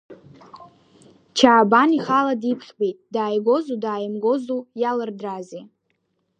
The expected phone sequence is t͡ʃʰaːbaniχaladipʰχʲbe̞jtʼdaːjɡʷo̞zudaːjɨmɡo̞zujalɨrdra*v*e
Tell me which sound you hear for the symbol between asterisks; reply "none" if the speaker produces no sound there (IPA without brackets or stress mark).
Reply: z